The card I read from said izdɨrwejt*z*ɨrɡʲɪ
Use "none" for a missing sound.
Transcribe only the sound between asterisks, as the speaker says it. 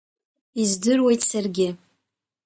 s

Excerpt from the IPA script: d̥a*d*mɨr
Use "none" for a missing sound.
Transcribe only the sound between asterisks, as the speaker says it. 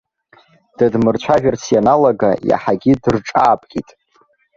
d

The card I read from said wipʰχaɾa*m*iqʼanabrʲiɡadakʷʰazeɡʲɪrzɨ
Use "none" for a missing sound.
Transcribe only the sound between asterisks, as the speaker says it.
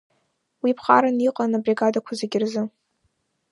n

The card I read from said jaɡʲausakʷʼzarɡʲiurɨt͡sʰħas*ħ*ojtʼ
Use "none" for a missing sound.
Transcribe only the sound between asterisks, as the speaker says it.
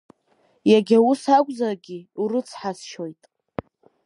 ʃ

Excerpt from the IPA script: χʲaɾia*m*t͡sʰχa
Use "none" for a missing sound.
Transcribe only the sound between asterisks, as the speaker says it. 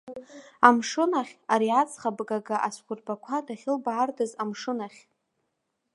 none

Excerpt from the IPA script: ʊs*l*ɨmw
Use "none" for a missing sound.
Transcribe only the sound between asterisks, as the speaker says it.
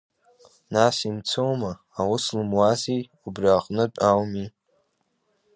l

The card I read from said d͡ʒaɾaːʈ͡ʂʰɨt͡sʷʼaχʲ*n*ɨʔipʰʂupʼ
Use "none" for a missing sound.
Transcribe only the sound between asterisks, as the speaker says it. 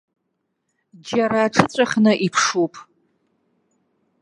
n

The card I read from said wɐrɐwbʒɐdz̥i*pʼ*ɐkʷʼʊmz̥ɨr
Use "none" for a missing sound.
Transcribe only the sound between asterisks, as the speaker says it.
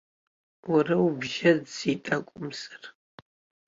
tʼ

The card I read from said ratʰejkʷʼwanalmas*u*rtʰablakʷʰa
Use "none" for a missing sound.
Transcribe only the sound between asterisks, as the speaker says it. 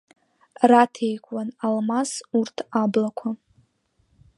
u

